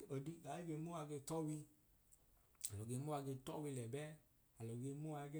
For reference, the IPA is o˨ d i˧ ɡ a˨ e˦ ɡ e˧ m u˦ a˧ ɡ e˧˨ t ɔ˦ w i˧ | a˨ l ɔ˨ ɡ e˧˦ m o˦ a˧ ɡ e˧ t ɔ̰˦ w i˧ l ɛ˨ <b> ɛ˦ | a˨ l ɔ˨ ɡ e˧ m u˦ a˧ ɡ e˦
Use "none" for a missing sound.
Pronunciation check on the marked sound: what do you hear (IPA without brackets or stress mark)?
b